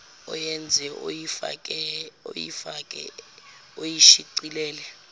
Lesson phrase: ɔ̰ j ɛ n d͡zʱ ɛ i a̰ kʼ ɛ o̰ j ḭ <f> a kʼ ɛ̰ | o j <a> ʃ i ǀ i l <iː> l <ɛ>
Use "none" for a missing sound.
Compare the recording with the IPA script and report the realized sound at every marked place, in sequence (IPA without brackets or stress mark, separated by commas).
f, i, ɛː, ɛ